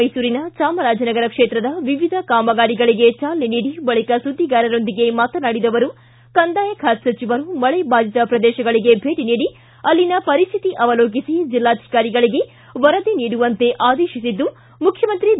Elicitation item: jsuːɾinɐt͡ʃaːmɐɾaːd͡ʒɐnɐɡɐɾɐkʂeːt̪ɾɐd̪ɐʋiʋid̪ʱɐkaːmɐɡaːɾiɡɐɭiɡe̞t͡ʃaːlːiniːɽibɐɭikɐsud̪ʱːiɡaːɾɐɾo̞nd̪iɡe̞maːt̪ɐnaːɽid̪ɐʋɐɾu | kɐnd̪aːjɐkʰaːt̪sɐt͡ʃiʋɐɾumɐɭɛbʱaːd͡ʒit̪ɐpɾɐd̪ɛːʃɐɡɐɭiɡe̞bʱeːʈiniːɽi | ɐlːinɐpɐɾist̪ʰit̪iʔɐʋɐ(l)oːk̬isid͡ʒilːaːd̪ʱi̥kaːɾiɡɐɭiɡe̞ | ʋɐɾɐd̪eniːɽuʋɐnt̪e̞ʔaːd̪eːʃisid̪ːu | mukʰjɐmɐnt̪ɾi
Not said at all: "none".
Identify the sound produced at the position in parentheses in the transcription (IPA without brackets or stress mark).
l